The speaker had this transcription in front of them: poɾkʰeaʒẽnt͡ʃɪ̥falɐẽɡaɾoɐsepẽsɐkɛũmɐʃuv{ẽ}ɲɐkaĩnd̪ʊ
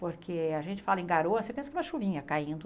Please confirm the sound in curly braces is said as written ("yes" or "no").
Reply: no